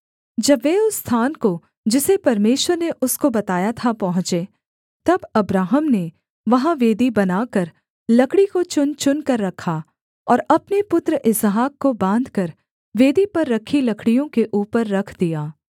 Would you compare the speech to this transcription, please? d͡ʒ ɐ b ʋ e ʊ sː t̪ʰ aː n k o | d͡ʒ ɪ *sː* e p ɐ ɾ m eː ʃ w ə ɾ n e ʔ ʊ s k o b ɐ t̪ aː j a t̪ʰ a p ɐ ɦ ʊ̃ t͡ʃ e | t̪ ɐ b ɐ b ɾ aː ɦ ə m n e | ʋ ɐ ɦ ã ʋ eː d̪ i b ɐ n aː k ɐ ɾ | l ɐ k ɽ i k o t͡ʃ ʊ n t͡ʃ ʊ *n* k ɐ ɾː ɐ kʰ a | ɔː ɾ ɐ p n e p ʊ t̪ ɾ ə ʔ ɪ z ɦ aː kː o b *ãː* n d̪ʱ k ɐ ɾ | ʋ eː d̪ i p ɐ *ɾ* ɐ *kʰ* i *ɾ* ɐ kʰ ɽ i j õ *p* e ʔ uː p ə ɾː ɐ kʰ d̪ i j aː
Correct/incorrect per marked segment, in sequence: incorrect: s, correct, correct, incorrect: ɾː, correct, incorrect: l, incorrect: k

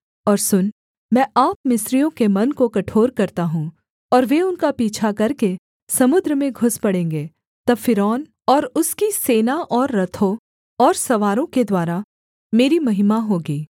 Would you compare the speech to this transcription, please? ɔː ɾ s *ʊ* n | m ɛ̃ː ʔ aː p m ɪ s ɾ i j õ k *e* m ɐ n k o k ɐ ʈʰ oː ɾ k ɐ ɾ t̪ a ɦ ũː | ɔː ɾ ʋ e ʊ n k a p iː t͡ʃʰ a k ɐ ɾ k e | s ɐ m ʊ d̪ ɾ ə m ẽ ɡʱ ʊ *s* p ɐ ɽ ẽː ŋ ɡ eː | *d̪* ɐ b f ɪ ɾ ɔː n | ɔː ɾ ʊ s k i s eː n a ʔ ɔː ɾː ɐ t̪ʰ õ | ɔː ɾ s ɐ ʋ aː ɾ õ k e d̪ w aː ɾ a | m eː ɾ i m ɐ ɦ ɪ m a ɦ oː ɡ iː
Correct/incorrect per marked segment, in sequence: correct, correct, correct, incorrect: t̪

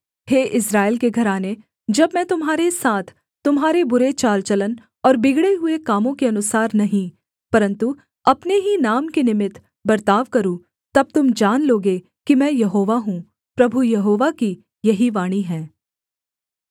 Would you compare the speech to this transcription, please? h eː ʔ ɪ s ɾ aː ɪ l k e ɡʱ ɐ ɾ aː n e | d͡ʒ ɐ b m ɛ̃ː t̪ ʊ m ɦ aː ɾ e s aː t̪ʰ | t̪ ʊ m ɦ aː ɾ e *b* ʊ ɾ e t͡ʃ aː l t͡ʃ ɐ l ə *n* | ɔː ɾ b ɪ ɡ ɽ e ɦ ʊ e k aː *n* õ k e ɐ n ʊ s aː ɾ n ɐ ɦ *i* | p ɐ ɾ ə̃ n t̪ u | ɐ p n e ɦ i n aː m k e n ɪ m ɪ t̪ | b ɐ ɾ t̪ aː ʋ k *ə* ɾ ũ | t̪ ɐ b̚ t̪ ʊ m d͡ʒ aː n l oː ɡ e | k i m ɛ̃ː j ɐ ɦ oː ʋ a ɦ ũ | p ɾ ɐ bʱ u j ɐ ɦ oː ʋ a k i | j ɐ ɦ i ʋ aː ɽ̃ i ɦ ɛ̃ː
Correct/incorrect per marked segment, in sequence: correct, correct, incorrect: m, incorrect: ĩ, incorrect: ɐ

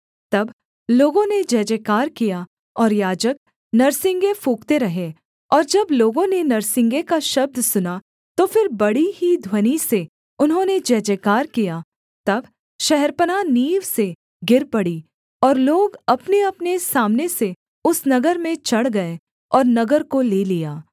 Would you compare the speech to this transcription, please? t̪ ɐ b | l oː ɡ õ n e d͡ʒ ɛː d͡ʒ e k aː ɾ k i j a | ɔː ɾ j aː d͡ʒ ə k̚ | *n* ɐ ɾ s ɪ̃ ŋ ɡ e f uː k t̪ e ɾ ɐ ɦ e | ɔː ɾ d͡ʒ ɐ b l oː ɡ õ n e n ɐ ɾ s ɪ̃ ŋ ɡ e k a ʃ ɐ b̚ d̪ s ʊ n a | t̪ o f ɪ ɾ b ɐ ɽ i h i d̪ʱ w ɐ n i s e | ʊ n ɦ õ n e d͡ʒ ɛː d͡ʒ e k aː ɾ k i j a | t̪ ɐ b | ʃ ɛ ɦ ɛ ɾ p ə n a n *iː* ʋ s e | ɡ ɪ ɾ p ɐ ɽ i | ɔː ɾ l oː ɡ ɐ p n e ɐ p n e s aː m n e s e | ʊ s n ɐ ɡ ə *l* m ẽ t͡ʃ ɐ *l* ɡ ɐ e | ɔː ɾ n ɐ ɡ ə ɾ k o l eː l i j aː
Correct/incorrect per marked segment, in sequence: correct, correct, incorrect: ɾ, incorrect: ɽ

